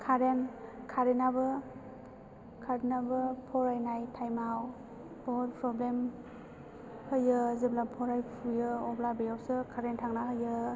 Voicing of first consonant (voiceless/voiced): voiceless